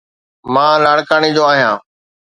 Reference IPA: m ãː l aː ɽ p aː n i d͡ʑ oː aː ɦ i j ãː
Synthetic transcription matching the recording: m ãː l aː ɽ k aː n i d͡ʑ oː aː ɦ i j ãː